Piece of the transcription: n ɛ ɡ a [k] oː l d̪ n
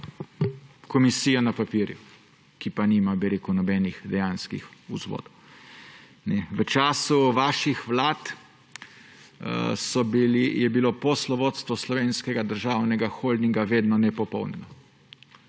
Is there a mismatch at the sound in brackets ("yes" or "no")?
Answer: yes